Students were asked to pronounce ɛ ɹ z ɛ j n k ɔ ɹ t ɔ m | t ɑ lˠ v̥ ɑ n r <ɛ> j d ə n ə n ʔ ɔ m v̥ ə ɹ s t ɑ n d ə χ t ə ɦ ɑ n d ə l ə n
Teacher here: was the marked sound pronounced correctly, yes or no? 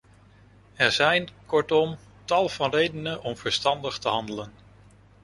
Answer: no